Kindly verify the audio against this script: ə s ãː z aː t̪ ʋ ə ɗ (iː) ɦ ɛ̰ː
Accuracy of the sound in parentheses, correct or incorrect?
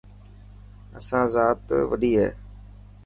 correct